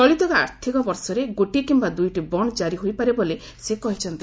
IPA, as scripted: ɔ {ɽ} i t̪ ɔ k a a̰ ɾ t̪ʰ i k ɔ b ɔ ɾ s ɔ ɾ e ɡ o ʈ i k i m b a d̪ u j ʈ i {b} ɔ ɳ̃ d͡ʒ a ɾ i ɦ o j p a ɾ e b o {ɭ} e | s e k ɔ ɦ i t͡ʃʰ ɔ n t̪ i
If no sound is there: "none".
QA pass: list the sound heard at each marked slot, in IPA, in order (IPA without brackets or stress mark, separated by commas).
ɭ, b, l